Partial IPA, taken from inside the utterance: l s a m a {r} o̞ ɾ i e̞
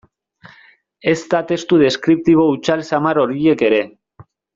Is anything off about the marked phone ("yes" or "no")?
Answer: yes